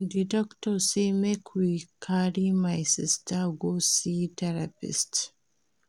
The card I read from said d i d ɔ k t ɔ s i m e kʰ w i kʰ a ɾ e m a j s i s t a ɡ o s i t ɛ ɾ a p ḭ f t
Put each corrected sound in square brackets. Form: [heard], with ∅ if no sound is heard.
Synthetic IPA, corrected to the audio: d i d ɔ k t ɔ s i m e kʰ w i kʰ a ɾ [i] m a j s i s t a ɡ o s i t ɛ ɾ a p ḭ [s] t